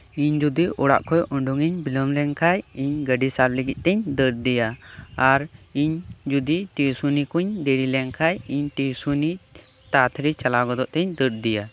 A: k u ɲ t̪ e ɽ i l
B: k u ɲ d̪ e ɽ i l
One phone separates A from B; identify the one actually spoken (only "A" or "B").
B